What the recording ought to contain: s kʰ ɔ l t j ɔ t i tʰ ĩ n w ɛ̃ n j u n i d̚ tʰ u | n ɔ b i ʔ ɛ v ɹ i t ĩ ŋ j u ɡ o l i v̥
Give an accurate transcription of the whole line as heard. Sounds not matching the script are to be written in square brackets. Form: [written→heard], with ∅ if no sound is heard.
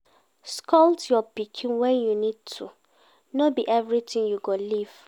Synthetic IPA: s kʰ ɔ l t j ɔ [t→p] i [tʰ→kʰ] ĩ n w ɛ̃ n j u n i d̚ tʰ u | n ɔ b i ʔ ɛ v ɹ i t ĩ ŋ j u ɡ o l i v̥

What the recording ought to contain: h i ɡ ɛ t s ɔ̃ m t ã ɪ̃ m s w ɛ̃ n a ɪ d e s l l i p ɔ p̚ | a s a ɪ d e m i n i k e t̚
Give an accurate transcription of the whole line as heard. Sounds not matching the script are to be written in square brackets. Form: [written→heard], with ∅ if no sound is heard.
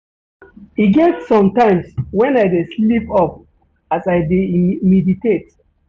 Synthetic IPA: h i ɡ ɛ t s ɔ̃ m t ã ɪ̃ m s w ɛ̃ n a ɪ d e s l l i p ɔ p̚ | a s a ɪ d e m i [n→d] i [k→t] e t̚

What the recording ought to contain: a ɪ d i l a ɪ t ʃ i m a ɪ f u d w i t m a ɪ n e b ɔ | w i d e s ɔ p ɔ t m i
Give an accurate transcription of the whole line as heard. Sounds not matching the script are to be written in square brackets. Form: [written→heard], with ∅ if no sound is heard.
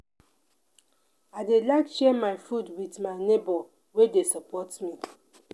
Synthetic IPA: a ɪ d [i→e] l a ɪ [t→k] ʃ [i→ɛ] m a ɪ f u d w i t m a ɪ n e b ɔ | w [i→e] d e s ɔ p ɔ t m i

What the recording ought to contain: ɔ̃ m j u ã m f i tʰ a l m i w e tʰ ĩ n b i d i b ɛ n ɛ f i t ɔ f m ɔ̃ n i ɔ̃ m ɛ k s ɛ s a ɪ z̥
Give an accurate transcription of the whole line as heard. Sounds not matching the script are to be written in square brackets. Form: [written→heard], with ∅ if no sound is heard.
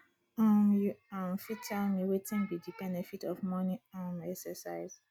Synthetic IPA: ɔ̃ m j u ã m f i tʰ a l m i w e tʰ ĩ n b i d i b ɛ n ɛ f i t ɔ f m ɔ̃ n i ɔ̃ m ɛ k s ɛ s a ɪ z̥

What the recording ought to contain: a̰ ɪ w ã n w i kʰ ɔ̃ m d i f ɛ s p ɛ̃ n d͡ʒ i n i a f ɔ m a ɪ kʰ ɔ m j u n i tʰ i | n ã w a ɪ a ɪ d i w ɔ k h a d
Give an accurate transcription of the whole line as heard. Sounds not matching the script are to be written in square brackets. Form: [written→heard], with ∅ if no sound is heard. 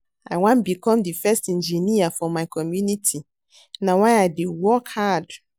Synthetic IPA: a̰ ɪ w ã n [w→b] i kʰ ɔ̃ m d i f ɛ s [p→t] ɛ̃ n d͡ʒ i n i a f ɔ m a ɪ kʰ ɔ m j u n i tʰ i | n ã w a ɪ a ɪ d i w ɔ k h a d

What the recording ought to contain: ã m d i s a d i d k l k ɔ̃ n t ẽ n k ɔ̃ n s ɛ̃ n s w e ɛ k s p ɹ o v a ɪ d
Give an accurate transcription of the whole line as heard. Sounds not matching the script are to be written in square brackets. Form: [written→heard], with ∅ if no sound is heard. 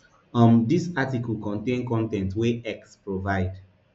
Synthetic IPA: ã m d i s a [d→t] i [d→∅] k l k ɔ̃ n t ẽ n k ɔ̃ n [s→t] ɛ̃ n [s→t] w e ɛ k s p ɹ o v a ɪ d

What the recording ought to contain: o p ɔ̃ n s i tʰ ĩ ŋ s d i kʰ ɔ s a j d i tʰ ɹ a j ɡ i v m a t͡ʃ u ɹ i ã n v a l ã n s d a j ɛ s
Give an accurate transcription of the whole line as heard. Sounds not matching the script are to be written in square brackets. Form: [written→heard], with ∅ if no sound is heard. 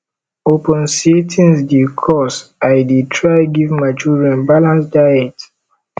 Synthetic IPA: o p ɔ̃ n s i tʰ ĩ [ŋ→n] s d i kʰ ɔ s a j d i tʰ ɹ a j ɡ i v m a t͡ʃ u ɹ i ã n [v→b] a l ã n s d a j ɛ [s→t]

